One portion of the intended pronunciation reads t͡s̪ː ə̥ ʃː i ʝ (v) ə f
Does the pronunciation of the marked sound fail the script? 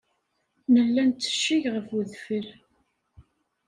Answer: yes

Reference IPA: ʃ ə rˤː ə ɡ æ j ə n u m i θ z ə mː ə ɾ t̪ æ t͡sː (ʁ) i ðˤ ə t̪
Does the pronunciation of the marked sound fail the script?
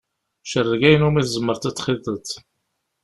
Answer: yes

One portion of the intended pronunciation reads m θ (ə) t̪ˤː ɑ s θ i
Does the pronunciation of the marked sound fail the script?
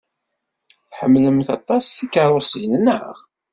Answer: yes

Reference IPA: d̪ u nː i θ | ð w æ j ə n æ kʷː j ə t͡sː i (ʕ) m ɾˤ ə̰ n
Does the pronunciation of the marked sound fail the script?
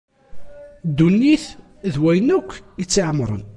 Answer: no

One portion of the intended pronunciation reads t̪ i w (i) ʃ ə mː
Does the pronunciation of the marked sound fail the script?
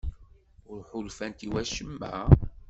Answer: yes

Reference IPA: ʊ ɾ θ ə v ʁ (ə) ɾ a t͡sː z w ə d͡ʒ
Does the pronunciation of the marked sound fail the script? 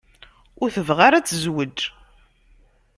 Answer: yes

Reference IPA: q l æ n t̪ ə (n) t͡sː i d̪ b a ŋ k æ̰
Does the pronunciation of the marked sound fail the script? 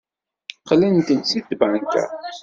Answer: no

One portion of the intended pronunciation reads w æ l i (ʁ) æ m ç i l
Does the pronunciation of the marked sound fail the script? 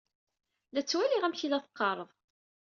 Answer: no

